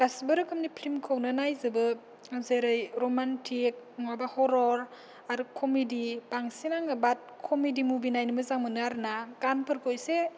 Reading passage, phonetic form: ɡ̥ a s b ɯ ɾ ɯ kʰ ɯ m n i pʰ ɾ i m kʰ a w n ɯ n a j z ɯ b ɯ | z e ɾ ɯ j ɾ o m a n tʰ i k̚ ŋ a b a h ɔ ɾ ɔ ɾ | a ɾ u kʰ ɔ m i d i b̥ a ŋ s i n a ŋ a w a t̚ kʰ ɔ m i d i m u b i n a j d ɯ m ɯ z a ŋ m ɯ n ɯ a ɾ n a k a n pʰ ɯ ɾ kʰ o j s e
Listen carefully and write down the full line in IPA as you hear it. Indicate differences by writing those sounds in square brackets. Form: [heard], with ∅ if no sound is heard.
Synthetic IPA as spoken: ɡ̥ a s b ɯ ɾ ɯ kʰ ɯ m n i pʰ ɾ i m kʰ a w n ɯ n a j z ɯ b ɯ | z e ɾ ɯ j ɾ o m a n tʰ i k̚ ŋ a b a h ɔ ɾ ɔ ɾ | a ɾ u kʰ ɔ m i d i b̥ a ŋ s i n a ŋ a [b] a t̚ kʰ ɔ m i d i m u b i n a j [n] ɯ m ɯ z a ŋ m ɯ n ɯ a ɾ n a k a n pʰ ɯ ɾ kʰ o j s e